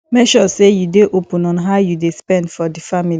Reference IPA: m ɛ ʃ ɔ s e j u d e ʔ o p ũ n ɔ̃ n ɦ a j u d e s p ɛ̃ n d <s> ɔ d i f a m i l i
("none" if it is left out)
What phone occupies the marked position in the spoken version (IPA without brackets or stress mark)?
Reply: f